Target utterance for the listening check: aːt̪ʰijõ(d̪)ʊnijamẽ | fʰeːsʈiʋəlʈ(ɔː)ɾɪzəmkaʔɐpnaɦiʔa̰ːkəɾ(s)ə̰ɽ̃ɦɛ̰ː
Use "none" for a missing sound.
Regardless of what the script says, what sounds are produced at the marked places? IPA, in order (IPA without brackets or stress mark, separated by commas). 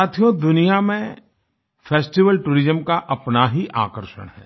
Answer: d̪, uː, ʃ